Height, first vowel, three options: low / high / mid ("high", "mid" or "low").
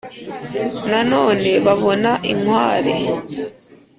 low